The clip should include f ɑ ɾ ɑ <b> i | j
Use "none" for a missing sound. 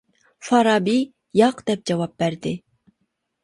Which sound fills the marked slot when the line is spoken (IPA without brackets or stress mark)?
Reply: b